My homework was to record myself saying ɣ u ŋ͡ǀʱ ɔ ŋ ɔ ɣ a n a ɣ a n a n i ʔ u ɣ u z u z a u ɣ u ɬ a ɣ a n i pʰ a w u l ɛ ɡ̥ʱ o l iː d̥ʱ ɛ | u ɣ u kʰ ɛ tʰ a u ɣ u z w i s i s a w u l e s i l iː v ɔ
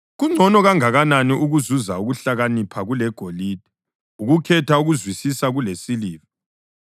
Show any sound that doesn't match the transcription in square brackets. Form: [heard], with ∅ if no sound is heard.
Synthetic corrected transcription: ɣ u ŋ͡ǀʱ ɔ [n] ɔ ɣ a [ŋ] a ɣ a n a n i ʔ u ɣ u z u z a u ɣ u ɬ a ɣ a n i pʰ a [ɣ] u l ɛ ɡ̥ʱ o l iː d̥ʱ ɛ | u ɣ u kʰ ɛ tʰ a u ɣ u z w i s i s a [ɣ] u l e s i l iː v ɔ